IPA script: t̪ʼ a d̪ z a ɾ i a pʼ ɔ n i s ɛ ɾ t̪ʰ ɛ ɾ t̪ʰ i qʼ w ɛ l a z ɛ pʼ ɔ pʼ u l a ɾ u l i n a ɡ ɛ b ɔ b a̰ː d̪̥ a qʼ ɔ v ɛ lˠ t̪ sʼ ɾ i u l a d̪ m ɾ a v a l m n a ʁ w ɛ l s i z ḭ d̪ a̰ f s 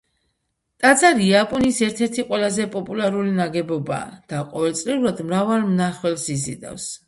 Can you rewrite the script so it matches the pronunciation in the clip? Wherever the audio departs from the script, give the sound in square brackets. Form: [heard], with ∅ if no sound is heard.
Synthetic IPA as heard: t̪ʼ a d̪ z a ɾ i a pʼ ɔ n i s ɛ ɾ t̪ʰ ɛ ɾ t̪ʰ i qʼ w ɛ l a z ɛ pʼ ɔ pʼ u l a ɾ u l i n a ɡ ɛ b ɔ b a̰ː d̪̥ a qʼ ɔ v ɛ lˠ t̪ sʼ [l] i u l a d̪ m ɾ a v a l m n a [χ] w ɛ l s i z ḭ d̪ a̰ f s